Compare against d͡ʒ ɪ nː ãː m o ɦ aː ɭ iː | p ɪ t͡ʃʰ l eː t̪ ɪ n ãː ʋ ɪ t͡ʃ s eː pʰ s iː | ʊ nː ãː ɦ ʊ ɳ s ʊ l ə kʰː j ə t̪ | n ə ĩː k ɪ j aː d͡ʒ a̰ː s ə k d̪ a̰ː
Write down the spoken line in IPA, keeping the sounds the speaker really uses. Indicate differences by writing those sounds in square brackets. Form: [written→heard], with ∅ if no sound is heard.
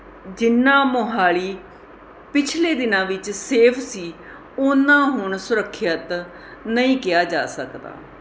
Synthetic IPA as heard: d͡ʒ ɪ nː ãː m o ɦ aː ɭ iː | p ɪ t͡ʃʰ l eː [t̪→d̪] ɪ n ãː ʋ ɪ t͡ʃ s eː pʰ s iː | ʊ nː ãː ɦ ʊ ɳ s ʊ [l→ɾ] ə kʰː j ə t̪ | n ə ĩː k ɪ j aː d͡ʒ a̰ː s ə k d̪ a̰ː